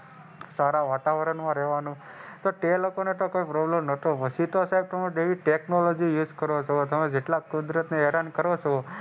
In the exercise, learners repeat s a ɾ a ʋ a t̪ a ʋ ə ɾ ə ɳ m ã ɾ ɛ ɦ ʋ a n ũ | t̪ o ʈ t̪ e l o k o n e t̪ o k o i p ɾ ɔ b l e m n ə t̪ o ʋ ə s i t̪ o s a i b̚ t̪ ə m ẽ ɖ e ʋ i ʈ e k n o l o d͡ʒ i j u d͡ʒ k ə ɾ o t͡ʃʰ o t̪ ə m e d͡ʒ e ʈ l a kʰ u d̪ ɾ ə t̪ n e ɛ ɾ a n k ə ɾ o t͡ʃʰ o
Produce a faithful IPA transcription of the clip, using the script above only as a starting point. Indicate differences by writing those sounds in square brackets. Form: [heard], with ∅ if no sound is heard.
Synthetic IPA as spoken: s a ɾ a ʋ a t̪ a ʋ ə ɾ ə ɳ m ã ɾ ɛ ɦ ʋ a n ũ | t̪ o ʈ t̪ e l o k o n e t̪ o k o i p ɾ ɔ b l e m n ə t̪ o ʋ ə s i t̪ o s a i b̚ t̪ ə m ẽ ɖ e ʋ i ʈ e k n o l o d͡ʒ i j u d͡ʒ k ə ɾ o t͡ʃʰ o t̪ ə m e d͡ʒ e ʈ l a [k] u d̪ ɾ ə t̪ n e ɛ ɾ a n k ə ɾ o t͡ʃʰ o